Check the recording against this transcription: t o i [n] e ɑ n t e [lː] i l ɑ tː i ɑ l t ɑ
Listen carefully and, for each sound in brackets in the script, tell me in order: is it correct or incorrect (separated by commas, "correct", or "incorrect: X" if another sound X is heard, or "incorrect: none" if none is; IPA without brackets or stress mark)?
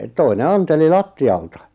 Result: correct, incorrect: l